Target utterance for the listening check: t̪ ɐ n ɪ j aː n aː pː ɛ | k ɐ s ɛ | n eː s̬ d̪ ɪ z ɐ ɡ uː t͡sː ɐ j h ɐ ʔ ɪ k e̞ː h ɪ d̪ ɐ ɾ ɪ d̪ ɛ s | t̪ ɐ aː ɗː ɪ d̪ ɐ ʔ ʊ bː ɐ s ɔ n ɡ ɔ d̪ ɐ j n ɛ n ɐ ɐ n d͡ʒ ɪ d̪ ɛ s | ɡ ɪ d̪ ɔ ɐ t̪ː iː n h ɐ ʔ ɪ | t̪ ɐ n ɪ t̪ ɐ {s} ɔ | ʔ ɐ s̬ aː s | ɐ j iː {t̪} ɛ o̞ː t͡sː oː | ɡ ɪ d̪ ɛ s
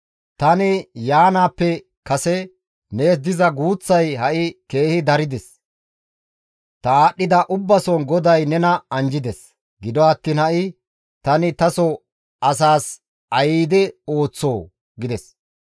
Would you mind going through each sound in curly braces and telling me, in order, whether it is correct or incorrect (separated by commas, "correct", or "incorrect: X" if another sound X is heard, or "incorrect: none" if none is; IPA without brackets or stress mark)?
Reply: correct, incorrect: d̪